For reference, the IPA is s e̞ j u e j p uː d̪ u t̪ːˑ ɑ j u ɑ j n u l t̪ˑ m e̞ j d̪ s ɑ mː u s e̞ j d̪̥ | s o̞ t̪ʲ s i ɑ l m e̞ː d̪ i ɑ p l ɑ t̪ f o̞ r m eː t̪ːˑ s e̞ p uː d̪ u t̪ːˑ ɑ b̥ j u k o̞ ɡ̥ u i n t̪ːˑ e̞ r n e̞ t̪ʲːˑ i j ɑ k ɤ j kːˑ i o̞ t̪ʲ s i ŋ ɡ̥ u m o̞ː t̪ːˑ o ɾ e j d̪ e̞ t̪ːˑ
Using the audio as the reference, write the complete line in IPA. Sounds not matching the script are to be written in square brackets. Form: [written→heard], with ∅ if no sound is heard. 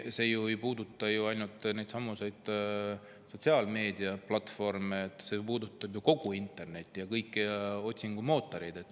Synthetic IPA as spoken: s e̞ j u e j p uː d̪ u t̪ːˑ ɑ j u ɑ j n u l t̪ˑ [m→n] e̞ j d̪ s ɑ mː u s e̞ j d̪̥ | s o̞ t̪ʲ s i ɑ l m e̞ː d̪ i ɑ p l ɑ t̪ f o̞ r m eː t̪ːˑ s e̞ p uː d̪ u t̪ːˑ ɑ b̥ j u k o̞ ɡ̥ u i n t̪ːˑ e̞ r n e̞ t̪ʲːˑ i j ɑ k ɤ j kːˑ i o̞ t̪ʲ s i ŋ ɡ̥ u m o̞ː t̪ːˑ o ɾ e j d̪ e̞ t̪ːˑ